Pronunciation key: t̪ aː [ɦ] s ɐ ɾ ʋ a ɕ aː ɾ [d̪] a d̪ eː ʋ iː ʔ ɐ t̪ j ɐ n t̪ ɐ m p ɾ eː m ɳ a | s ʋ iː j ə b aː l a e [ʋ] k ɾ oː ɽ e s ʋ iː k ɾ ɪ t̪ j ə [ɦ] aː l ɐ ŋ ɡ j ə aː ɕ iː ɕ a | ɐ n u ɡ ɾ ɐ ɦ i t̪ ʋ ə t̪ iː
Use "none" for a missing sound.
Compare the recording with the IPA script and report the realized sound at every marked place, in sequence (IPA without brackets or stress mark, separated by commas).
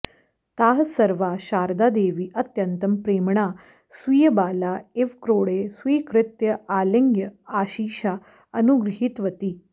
ɦ, d̪, ʋ, none